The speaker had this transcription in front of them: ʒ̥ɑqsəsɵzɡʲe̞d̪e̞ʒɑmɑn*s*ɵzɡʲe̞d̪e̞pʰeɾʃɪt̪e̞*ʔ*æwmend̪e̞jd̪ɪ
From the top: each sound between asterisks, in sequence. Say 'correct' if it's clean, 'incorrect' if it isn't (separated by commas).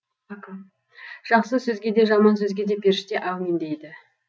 correct, correct